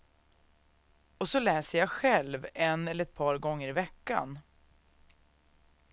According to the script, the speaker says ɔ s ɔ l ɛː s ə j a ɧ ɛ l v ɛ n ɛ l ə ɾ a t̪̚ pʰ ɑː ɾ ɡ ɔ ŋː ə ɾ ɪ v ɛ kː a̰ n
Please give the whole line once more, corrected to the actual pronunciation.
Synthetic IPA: ɔ s ɔ l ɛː s ə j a ɧ ɛ l v ɛ n ɛ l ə ɾ ɛ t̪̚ pʰ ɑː ɾ ɡ ɔ ŋː ə ɾ ɪ v ɛ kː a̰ n